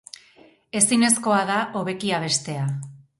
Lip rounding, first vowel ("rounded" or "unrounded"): unrounded